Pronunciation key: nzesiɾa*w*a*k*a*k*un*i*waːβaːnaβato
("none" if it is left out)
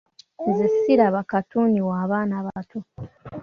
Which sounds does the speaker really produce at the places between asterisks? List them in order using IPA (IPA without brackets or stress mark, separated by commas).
β, k, t, i